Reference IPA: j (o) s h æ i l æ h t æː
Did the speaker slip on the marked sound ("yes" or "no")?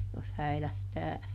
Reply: no